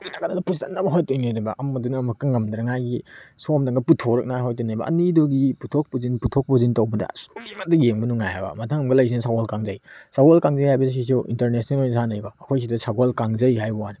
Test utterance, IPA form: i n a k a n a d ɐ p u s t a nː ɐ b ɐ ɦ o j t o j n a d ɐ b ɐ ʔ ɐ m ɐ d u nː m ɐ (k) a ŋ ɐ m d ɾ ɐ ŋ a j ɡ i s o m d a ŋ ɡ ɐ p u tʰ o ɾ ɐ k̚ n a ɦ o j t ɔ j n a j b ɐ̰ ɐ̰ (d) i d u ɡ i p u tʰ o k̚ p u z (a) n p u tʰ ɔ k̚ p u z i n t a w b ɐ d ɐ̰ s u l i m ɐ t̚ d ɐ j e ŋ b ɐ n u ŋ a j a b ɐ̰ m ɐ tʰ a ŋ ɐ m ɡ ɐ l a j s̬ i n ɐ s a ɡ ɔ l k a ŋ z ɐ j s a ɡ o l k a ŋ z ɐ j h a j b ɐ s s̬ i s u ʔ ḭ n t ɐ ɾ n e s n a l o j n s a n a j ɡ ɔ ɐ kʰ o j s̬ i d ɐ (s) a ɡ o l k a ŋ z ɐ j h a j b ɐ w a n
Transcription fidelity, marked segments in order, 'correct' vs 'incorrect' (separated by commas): correct, incorrect, incorrect, correct